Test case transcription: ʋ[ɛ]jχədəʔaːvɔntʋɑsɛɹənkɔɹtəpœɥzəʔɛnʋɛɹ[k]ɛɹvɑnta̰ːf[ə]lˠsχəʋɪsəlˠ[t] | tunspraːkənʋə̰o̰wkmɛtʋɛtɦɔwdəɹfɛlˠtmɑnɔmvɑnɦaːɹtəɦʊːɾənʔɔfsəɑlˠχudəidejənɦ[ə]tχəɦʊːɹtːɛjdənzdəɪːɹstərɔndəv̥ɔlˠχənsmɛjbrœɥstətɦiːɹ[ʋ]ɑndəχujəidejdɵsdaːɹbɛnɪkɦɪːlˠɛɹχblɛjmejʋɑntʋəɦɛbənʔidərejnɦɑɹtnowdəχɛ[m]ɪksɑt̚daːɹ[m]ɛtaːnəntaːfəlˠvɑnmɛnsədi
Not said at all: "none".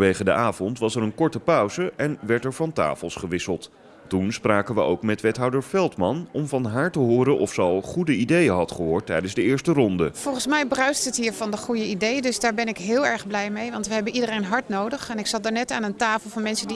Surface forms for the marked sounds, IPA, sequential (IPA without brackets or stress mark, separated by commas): e, t, ə, t, ɑ, v, n, n